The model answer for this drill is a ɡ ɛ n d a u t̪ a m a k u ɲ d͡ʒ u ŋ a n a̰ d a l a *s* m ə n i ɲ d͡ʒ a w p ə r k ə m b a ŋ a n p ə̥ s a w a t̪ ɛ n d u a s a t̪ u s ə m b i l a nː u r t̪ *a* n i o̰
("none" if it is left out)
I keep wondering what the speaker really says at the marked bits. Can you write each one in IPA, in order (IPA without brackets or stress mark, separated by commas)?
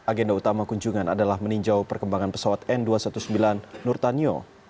h, a